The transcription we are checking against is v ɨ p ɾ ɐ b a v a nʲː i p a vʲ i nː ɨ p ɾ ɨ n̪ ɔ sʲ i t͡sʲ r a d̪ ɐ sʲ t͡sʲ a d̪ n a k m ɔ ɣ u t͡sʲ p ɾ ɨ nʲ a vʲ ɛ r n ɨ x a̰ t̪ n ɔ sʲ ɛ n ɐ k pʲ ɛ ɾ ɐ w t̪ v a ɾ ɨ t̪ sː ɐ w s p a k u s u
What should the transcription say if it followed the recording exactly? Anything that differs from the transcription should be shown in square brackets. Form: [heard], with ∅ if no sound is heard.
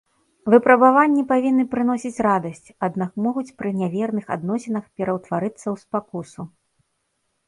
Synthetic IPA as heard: v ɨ p ɾ ɐ b a v a nʲː i p a vʲ i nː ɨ p ɾ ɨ n̪ ɔ sʲ i t͡sʲ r a d̪ ɐ sʲ t͡sʲ a d̪ n a k m ɔ ɣ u t͡sʲ p ɾ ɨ nʲ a vʲ ɛ r n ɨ x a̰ [d̪] n ɔ sʲ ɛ n ɐ [x] pʲ ɛ ɾ ɐ w t̪ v a ɾ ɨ t̪ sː ɐ w s p a k u s u